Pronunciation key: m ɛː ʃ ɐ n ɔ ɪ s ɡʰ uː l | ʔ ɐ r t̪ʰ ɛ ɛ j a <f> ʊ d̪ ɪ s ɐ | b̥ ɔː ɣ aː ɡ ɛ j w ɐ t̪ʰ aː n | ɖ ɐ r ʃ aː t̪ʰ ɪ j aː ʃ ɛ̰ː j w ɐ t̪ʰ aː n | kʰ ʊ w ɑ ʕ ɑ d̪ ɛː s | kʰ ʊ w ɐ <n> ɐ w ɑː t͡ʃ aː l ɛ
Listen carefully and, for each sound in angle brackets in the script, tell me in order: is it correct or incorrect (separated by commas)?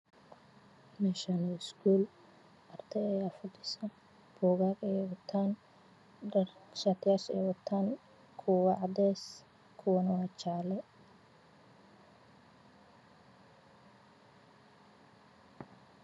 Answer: correct, correct